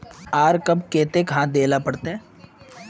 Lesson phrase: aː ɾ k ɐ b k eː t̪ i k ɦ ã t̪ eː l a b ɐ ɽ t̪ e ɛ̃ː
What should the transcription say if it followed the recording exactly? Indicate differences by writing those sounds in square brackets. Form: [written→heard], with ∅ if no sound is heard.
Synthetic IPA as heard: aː ɾ k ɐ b k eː t̪ [i→e] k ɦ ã [t̪→d̪] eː l a [b→p] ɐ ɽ t̪ e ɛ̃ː